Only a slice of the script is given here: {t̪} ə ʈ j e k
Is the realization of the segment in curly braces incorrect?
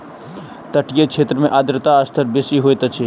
no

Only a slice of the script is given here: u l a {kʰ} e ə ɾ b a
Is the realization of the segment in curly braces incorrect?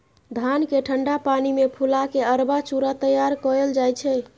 yes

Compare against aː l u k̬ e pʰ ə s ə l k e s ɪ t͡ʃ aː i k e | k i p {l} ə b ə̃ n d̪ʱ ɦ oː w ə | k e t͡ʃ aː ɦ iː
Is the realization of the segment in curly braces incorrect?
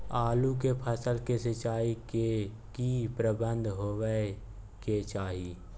yes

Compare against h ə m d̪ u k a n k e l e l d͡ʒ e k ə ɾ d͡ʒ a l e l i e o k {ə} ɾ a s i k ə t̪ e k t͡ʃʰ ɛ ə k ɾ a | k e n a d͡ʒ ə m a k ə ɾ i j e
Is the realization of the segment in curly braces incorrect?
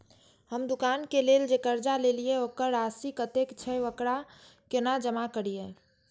no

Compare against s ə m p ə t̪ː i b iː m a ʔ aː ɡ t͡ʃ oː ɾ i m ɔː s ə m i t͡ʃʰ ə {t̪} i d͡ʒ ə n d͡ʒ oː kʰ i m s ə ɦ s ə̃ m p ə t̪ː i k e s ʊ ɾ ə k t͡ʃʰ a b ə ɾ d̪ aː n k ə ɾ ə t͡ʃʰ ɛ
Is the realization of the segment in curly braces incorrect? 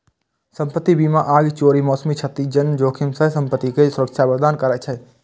no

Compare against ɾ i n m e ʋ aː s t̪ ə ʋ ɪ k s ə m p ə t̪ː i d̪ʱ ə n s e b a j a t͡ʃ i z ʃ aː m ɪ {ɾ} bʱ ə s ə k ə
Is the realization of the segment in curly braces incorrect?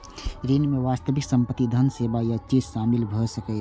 yes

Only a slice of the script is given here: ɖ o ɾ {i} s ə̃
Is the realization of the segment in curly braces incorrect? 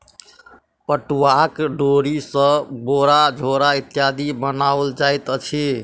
no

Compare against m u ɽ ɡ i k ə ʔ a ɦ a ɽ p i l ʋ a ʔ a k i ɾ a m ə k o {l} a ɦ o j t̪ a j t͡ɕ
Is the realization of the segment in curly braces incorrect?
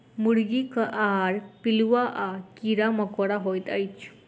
yes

